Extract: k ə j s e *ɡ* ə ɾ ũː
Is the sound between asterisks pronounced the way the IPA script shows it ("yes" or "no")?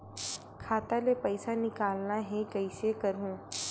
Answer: no